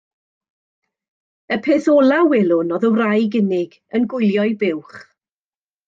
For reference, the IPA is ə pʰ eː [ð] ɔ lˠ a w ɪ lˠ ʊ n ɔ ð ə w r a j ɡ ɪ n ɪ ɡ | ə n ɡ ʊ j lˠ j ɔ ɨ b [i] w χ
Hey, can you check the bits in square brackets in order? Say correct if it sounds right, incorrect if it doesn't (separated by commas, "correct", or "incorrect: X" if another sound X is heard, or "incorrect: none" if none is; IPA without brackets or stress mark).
incorrect: θ, incorrect: ɪ